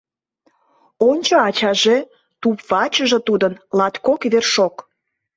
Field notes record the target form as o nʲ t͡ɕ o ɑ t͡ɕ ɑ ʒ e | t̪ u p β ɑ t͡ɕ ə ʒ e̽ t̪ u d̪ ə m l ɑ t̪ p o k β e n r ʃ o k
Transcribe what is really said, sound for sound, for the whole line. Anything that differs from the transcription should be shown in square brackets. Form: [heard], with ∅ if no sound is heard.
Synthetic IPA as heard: o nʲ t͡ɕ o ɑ t͡ɕ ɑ ʒ e | t̪ u p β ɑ t͡ɕ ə ʒ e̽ t̪ u d̪ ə [n] l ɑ t̪ [k] o k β e [∅] r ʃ o k